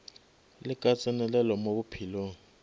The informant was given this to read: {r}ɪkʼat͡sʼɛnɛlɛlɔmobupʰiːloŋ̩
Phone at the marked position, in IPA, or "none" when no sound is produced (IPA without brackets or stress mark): l